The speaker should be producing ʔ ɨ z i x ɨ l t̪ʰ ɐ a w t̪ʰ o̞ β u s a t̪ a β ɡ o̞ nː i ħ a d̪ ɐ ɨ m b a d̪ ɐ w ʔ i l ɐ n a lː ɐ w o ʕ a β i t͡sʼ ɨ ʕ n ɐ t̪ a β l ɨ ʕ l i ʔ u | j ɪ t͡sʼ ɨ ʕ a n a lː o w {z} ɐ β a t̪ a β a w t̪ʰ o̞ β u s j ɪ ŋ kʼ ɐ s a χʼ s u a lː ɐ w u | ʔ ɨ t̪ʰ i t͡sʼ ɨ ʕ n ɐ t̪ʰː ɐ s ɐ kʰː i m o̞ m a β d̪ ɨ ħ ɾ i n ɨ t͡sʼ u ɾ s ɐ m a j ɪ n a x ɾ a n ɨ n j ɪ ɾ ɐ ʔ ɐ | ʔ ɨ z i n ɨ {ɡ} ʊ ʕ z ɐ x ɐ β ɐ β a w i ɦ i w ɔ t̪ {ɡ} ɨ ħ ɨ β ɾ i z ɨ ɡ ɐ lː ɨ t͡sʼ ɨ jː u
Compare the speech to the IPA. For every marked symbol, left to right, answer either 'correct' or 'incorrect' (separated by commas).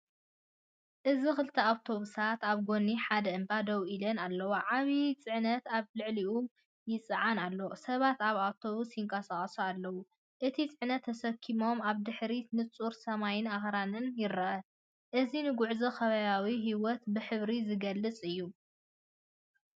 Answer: incorrect, correct, incorrect